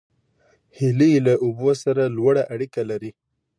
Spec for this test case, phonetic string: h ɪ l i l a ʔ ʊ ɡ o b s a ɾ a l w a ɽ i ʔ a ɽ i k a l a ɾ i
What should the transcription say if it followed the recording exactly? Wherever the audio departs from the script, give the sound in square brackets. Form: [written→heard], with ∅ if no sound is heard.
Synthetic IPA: h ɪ l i l a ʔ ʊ [ɡ→b] o [b→∅] s a ɾ a l w a ɽ [i→a] ʔ a ɽ i k a l a ɾ i